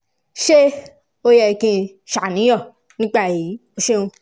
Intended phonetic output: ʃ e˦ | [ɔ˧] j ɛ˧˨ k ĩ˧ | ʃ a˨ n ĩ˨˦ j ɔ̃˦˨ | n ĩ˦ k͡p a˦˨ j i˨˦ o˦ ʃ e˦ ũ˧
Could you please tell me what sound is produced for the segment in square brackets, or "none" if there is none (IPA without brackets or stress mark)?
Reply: o˧